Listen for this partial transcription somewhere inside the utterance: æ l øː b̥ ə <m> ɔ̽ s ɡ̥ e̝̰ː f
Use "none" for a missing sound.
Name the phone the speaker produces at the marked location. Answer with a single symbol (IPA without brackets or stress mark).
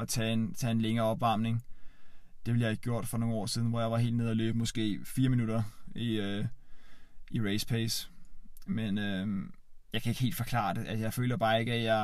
m